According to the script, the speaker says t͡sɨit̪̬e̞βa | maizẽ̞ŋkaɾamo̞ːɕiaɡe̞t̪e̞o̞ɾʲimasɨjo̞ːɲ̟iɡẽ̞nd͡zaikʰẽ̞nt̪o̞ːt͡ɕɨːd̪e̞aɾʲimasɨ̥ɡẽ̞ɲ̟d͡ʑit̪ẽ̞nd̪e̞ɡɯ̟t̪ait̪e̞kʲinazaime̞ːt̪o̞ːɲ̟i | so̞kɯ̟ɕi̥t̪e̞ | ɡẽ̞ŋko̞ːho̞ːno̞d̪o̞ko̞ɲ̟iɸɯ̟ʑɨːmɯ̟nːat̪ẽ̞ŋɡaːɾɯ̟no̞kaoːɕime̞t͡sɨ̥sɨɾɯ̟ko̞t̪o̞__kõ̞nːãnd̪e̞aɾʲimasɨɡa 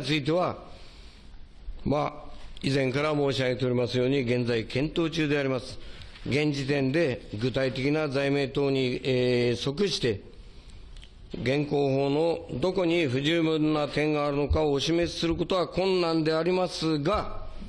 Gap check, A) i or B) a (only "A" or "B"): B